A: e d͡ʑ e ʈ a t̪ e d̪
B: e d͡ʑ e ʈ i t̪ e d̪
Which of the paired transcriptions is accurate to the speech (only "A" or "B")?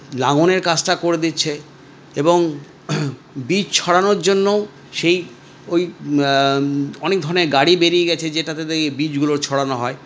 A